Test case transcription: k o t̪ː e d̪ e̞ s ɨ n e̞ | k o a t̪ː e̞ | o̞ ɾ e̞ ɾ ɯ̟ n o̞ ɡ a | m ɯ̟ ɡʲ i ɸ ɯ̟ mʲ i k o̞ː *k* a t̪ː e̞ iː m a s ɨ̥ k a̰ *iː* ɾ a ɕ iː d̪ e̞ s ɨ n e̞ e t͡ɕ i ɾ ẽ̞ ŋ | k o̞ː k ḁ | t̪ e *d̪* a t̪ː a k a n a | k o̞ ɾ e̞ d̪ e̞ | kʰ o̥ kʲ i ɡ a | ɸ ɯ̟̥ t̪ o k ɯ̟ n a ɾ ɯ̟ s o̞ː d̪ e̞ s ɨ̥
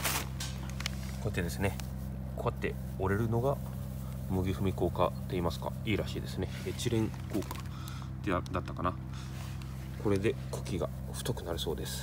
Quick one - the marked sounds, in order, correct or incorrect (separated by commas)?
correct, correct, correct